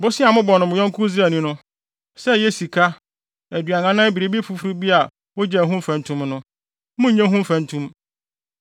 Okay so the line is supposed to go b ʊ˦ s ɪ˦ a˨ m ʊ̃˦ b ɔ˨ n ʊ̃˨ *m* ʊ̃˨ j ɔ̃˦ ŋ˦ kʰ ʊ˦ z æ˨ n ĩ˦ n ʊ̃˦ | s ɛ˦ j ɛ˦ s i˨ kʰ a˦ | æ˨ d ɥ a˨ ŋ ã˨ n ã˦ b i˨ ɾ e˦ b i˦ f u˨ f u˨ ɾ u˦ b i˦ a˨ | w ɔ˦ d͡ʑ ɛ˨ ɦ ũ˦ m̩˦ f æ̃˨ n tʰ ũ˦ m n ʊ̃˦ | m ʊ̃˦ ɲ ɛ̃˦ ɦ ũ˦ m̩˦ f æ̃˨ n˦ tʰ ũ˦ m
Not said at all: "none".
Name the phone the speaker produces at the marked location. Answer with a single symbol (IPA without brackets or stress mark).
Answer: m